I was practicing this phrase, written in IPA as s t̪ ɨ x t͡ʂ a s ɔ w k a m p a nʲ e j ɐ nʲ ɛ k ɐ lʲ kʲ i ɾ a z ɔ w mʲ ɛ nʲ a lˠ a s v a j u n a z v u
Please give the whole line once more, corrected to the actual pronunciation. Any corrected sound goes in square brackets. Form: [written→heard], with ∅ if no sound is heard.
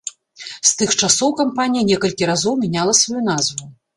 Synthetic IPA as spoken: s t̪ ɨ x t͡ʂ a s ɔ w k a m p a nʲ [e→i] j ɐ nʲ ɛ k ɐ lʲ kʲ i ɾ a z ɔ w mʲ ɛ nʲ a lˠ [a→ɐ] s v a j u n a z v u